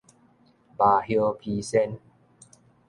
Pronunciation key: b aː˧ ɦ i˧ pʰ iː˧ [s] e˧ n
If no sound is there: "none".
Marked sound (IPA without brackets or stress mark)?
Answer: s